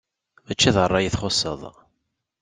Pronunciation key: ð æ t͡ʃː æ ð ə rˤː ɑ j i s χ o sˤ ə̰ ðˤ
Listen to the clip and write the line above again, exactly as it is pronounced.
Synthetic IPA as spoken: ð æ t͡ʃː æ ð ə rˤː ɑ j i θ χ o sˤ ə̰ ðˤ